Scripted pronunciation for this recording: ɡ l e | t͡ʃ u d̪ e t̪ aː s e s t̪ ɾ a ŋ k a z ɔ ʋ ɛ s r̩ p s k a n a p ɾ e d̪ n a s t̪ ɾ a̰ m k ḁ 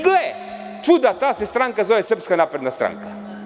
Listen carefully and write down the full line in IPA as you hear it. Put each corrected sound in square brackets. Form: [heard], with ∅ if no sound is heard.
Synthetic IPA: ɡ l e | t͡ʃ u d̪ [a] t̪ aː s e s t̪ ɾ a ŋ k a z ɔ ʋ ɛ s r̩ p s k a n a p ɾ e d̪ n a s t̪ ɾ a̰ [ŋ] k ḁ